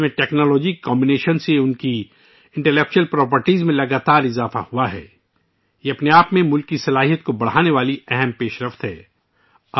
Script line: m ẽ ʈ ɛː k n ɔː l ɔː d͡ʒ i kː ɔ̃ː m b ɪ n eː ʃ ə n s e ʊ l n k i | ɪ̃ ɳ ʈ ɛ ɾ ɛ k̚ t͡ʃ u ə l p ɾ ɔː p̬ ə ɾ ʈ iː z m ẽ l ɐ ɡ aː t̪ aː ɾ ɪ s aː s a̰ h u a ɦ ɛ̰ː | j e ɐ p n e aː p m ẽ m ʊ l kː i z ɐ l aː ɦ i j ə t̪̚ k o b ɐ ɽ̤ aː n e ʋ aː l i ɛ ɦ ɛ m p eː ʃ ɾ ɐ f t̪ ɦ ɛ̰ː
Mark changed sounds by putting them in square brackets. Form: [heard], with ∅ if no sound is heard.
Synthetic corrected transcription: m ẽ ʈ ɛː k n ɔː l ɔː d͡ʒ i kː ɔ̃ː m b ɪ n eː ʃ ə n s e ʊ [∅] n k i | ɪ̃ ɳ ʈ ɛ [l] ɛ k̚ t͡ʃ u ə l p ɾ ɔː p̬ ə ɾ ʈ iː z m ẽ l ɐ ɡ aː t̪ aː ɾ ɪ [z] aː [f] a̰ h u a ɦ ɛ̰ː | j e ɐ p n e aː p m ẽ m ʊ l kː i [s] ɐ l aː ɦ i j ə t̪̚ k o b ɐ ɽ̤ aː n e ʋ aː l i ɛ ɦ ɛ m p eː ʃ ɾ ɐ f t̪ ɦ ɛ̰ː